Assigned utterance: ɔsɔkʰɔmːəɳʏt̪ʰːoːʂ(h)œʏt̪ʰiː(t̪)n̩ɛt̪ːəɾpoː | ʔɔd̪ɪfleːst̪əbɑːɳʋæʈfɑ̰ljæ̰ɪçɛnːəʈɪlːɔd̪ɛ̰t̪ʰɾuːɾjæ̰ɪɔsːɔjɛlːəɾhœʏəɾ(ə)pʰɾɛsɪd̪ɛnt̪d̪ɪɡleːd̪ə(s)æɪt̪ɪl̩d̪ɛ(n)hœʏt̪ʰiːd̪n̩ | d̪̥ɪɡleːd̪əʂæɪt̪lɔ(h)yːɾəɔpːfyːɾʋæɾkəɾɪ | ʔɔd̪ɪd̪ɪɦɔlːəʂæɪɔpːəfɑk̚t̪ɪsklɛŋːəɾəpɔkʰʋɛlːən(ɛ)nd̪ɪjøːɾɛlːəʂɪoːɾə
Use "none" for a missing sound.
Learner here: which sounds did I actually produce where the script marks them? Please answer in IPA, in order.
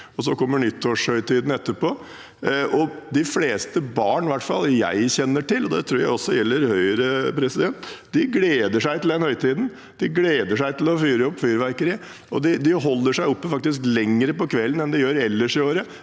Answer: h, d̪, ə, ʂ, n, f, ɛ

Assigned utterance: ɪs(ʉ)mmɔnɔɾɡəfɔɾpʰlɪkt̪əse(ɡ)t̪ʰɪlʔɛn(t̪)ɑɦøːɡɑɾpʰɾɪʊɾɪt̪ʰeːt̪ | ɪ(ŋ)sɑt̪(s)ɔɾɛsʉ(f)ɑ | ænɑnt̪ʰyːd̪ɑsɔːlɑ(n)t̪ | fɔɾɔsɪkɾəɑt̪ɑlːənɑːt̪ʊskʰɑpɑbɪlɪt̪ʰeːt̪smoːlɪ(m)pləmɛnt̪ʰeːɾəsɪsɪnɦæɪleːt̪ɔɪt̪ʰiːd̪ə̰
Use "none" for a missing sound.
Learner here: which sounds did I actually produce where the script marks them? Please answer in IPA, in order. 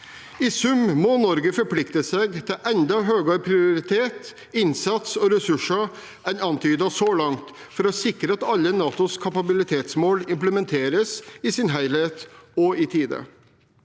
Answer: ʉ, ɡ, d̪, n, s, ʂ, ŋ, m

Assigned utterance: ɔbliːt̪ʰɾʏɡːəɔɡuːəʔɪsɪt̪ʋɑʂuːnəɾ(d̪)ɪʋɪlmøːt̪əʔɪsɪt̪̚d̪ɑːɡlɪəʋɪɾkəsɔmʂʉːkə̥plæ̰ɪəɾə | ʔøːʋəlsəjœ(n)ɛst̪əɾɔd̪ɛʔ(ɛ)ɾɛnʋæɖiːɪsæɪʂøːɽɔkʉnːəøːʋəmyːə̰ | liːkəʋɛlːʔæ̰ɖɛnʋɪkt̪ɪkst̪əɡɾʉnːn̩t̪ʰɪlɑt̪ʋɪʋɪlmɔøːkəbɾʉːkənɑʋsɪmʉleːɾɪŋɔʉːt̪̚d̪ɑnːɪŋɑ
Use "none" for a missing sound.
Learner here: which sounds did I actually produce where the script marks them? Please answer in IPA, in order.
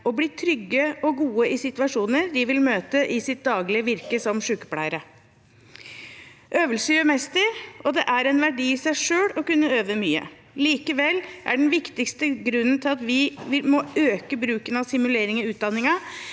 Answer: d̪, m, æ

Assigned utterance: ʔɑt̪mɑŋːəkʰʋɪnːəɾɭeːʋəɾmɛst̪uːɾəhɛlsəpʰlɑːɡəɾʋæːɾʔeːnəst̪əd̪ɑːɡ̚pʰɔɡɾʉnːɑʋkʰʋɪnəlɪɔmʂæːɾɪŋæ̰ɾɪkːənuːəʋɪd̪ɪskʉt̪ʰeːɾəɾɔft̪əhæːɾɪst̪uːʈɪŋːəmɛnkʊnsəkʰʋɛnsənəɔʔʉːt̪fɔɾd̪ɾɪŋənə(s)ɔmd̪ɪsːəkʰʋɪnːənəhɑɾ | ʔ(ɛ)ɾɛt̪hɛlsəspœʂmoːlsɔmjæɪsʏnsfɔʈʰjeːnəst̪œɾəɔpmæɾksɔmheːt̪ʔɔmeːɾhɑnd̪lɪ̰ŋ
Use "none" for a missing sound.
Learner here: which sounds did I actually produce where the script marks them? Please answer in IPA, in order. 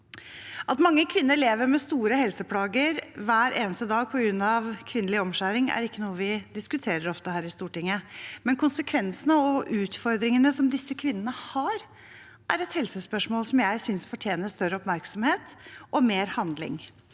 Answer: s, æ

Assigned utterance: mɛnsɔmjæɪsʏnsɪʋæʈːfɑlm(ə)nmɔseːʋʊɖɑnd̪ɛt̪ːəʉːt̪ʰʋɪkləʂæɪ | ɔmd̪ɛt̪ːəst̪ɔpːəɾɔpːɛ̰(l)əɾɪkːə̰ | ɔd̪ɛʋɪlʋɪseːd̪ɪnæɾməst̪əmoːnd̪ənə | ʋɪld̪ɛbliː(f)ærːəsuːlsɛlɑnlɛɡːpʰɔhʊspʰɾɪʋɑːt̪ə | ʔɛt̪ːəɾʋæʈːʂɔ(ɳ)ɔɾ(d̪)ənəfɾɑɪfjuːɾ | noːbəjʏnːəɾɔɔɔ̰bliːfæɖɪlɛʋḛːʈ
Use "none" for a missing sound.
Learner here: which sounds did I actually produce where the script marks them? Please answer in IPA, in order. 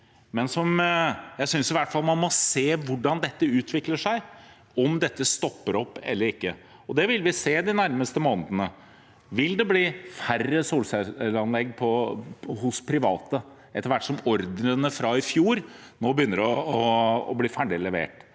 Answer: ɑ, lː, f, m, d̪

